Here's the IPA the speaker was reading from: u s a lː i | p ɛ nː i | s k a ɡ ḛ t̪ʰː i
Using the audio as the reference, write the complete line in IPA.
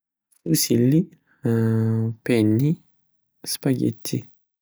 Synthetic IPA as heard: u s i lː i | p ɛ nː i | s p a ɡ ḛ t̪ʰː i